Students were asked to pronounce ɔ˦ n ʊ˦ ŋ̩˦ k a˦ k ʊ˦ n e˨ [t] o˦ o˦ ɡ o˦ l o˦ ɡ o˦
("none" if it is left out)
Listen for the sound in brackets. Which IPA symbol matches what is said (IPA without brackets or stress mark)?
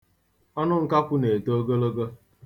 t